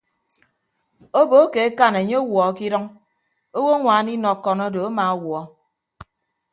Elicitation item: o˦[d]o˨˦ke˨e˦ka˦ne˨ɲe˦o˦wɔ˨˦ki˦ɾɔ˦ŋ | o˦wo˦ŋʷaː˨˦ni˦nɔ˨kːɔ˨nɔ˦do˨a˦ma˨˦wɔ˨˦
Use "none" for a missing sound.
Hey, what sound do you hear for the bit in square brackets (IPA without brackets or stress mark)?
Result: b